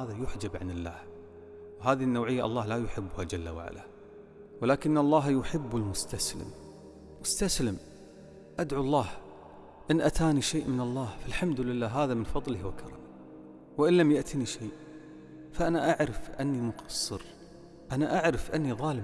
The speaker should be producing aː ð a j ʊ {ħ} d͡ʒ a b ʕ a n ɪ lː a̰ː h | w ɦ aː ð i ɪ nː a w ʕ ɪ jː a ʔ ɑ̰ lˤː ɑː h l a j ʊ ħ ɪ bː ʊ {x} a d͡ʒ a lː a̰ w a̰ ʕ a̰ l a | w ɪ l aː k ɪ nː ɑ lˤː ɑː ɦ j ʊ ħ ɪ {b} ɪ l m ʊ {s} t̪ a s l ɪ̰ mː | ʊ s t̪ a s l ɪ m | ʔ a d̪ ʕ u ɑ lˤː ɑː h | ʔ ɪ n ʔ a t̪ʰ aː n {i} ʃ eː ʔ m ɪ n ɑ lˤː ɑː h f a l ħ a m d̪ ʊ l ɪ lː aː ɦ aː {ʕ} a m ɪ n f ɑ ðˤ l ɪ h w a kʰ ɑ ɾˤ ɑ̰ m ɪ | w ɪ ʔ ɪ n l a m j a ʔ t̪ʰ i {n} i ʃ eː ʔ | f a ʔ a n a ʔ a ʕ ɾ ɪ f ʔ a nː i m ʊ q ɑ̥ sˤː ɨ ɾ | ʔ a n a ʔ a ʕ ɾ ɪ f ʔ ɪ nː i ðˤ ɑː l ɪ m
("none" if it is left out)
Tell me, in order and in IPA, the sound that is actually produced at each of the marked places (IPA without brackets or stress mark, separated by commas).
ħ, h, bː, s, i, ð, n